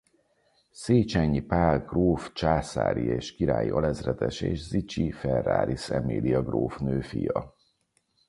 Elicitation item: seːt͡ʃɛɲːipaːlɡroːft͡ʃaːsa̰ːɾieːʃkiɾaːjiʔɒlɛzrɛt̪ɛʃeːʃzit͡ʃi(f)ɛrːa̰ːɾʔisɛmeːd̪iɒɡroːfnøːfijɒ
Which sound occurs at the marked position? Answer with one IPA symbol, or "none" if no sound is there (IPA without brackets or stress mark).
f